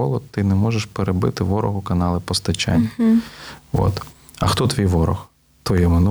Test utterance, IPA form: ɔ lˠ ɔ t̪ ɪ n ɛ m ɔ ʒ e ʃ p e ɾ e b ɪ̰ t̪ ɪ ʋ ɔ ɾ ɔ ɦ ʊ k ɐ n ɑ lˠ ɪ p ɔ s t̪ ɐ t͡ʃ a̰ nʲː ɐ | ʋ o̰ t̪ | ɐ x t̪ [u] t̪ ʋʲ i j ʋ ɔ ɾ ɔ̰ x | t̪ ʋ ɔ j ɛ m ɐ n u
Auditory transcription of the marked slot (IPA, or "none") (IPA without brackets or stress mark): ɔ